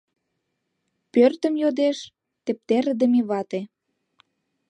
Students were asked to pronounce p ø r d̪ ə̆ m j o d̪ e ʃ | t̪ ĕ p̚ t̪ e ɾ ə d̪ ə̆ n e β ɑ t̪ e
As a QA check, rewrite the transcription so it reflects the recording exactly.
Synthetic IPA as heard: p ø r t̪ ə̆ m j o d̪ e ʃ | t̪ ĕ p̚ t̪ e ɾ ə d̪ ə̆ m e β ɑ t̪ e